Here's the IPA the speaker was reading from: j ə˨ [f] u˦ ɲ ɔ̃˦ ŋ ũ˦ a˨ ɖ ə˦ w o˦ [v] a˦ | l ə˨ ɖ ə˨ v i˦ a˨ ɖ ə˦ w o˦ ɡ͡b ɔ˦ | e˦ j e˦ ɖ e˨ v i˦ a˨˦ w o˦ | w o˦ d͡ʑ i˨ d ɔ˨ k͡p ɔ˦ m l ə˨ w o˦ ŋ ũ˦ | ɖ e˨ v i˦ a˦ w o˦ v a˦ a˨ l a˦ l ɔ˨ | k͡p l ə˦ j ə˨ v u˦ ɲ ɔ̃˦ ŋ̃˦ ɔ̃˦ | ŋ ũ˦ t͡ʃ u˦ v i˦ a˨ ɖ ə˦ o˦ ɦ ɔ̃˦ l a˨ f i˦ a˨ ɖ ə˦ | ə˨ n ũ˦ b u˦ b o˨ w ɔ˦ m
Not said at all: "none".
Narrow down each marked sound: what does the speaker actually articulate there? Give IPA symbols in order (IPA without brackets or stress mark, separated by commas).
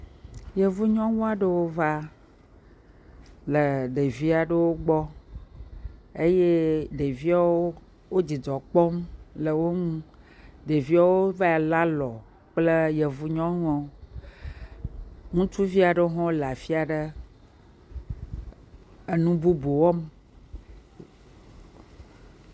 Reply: v, v